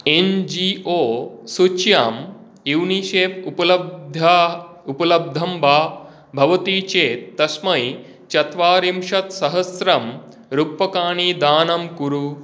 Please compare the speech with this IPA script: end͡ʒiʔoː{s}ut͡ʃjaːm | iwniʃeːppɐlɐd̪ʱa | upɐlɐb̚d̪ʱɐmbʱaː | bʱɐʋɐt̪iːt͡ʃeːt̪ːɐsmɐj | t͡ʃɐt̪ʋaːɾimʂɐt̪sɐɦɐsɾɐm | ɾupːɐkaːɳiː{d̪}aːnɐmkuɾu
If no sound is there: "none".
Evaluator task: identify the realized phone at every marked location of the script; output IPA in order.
s, d̪

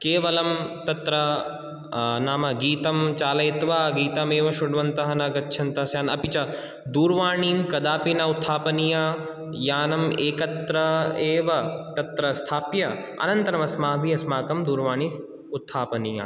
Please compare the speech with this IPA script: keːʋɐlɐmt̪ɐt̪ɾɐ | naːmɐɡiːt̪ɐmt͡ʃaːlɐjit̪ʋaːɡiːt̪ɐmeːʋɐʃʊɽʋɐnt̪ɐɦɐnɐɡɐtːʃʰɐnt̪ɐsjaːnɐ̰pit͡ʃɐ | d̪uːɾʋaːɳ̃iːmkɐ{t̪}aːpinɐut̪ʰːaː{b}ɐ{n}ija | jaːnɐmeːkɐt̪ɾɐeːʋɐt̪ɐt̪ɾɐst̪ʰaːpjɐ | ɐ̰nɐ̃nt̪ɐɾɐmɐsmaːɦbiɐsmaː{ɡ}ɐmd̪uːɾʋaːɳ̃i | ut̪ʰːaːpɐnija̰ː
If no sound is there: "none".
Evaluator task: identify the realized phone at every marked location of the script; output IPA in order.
d̪, p, n, k

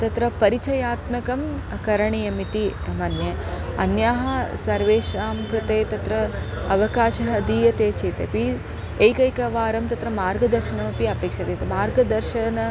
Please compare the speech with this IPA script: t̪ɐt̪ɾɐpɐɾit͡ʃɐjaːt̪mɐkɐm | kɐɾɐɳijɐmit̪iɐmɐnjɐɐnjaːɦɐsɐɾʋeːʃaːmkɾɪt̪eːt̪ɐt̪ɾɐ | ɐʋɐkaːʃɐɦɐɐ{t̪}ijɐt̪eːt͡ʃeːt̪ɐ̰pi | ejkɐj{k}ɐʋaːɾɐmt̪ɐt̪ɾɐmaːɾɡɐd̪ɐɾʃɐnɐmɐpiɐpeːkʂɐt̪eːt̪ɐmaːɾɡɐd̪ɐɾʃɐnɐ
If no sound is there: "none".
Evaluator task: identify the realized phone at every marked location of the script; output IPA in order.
d̪, k

